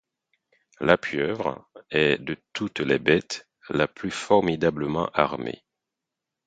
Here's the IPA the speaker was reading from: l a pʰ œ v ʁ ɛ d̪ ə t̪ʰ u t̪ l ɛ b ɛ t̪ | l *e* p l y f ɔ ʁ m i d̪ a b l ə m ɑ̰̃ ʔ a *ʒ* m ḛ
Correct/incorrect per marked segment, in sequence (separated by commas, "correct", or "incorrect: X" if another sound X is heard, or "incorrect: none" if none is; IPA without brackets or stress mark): incorrect: a, incorrect: ʁ